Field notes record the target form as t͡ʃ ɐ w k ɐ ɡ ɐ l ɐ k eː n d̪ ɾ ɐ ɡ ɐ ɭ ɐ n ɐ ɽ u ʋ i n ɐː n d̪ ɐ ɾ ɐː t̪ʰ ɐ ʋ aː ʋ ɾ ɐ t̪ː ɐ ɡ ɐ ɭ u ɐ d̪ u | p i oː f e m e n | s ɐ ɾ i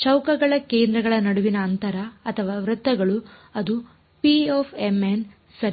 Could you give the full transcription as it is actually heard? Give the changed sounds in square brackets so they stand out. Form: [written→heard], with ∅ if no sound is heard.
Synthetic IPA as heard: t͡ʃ ɐ w k ɐ ɡ ɐ [l→ɭ] ɐ k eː n d̪ ɾ ɐ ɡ ɐ ɭ ɐ n ɐ ɽ u ʋ i n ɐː n [d̪→t̪] ɐ ɾ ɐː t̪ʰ ɐ ʋ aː ʋ ɾ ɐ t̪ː ɐ ɡ ɐ ɭ u ɐ d̪ u | p i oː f e m e n | s ɐ ɾ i